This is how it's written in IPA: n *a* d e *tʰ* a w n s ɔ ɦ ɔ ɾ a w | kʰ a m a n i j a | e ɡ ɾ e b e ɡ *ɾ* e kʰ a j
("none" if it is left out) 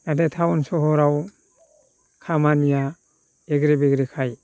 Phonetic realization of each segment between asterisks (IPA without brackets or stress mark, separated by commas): a, tʰ, ɾ